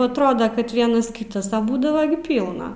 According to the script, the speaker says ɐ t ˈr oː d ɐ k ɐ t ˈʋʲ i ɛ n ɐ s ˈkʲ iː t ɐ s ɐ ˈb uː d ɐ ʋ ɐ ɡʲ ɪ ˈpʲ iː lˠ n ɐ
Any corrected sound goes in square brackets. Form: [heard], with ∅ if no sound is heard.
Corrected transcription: ɐ t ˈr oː d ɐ k ɐ t ˈʋʲ i ɛ n ɐ s ˈkʲ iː t ɐ s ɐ ˈb uː d ɐ ʋ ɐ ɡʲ ɪ ˈpʲ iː lˠ n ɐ